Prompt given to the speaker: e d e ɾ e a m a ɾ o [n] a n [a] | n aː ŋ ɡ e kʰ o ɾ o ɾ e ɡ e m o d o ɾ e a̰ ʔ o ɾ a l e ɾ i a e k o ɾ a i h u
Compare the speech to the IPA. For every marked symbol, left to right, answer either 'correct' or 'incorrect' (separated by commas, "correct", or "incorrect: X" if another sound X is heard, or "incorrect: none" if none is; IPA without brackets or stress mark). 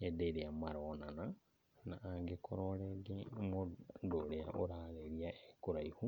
correct, correct